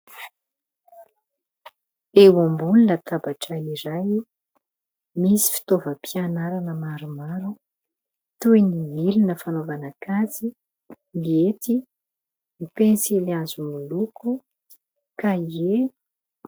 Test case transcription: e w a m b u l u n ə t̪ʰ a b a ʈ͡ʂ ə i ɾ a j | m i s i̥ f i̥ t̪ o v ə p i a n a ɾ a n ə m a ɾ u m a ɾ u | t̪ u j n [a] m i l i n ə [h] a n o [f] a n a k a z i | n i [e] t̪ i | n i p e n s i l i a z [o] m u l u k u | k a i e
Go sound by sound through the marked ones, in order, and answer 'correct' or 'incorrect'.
incorrect: i, incorrect: f, incorrect: v, correct, incorrect: u

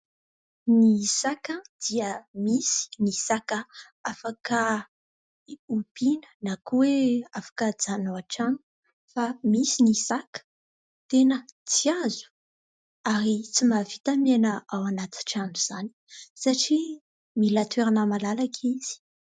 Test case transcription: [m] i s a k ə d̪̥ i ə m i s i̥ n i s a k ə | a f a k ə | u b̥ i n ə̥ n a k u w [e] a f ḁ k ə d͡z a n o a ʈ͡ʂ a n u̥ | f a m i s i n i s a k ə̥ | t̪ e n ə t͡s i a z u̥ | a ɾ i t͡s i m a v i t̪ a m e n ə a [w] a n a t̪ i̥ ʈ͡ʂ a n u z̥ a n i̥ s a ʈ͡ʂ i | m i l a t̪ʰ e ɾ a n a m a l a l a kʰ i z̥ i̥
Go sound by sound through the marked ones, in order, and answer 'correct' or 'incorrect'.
incorrect: n, correct, correct

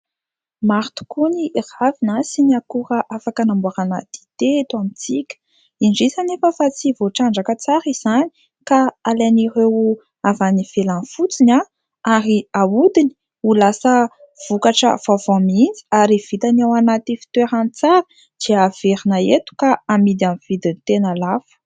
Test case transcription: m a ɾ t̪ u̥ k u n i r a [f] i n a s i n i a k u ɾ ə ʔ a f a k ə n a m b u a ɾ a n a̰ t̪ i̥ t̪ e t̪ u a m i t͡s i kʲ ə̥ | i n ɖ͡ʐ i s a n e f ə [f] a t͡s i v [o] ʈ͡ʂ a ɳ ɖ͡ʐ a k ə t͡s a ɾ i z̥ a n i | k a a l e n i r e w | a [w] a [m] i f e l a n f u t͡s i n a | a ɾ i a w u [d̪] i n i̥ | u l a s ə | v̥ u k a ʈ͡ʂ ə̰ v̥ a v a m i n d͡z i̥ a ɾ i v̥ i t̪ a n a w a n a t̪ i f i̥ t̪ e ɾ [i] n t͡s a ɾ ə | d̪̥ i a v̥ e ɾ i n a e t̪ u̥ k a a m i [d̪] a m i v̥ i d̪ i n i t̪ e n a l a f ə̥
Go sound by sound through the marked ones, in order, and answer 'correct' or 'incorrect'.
incorrect: v, correct, correct, incorrect: v, incorrect: n, correct, incorrect: a, correct

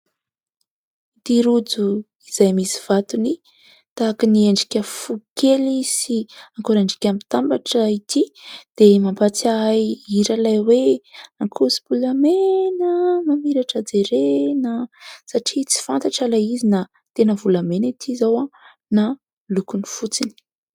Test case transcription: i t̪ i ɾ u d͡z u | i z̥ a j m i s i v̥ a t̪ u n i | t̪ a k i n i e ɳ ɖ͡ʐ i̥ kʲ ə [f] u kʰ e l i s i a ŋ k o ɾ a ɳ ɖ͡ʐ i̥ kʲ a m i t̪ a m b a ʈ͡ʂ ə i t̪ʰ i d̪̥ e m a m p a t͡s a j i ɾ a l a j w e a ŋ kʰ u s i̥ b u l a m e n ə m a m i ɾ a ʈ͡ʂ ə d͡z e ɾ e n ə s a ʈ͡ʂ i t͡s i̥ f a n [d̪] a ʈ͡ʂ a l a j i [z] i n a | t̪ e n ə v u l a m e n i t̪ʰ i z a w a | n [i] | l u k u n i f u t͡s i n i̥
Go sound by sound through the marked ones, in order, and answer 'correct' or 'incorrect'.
correct, incorrect: t̪, correct, incorrect: a

